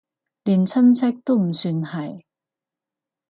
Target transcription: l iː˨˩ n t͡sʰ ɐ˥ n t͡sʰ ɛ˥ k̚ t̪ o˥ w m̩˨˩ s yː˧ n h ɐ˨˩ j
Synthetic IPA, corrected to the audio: l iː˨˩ n t͡sʰ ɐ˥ n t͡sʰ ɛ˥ k̚ t̪ o˥ w m̩˨˩ s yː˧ n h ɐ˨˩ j